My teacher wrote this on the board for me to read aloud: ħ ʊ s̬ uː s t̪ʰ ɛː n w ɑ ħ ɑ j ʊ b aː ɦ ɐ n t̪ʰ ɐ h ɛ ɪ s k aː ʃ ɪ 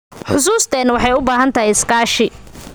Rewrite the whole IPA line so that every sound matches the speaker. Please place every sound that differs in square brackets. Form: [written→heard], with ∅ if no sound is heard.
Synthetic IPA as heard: ħ ʊ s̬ uː s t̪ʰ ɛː n w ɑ ħ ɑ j ʊ b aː ɦ ɐ n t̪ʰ ɐ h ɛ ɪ s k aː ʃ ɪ